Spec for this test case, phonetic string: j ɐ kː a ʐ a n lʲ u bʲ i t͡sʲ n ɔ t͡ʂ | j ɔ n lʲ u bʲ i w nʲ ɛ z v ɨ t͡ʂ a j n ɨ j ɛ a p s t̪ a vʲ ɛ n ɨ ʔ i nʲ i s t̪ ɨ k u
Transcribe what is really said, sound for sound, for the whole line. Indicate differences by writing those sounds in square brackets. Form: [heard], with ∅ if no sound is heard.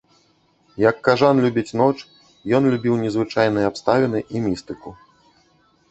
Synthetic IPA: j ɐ kː a ʐ a n lʲ u bʲ i t͡sʲ n ɔ t͡ʂ | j ɔ n lʲ u bʲ i w nʲ ɛ z v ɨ t͡ʂ a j n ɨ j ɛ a p s t̪ a vʲ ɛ n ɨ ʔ i [mʲ] i s t̪ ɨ k u